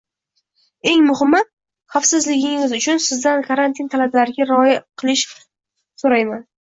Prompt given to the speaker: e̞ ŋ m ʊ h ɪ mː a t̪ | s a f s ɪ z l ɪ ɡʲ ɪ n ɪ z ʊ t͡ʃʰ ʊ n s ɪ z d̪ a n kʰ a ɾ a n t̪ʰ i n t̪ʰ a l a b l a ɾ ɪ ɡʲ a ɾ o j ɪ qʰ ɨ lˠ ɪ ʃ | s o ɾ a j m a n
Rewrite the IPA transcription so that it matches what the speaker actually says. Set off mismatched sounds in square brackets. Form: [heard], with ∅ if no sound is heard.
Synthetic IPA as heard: e̞ ŋ m ʊ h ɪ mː a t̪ | [χ] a f s ɪ z l ɪ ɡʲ ɪ [ŋ] ɪ z ʊ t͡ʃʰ ʊ n s ɪ z d̪ a n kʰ a ɾ a n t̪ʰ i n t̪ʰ a l a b l a ɾ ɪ ɡʲ a ɾ [ɒ] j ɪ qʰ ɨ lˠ ɪ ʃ | s o ɾ a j m a n